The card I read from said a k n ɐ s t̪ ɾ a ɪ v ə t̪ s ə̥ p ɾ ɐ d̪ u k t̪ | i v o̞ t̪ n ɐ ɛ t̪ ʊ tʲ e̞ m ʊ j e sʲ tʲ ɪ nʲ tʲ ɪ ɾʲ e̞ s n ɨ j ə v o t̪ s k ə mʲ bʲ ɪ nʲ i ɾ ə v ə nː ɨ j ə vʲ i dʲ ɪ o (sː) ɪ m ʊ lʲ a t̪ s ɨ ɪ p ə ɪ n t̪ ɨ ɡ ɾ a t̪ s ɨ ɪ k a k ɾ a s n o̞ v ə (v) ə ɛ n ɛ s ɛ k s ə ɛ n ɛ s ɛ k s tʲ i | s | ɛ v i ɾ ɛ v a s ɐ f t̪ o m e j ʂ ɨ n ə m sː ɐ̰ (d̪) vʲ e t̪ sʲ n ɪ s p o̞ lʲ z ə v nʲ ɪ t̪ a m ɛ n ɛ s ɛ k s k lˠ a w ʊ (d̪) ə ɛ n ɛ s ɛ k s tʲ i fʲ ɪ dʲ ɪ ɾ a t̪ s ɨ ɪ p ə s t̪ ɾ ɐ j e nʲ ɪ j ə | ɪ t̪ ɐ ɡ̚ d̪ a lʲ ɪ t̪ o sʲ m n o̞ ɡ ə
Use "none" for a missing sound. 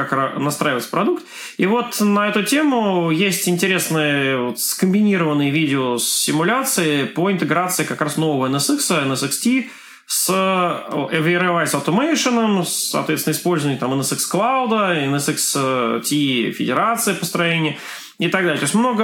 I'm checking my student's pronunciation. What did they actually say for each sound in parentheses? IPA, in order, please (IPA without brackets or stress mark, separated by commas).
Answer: sː, v, t̪, d̪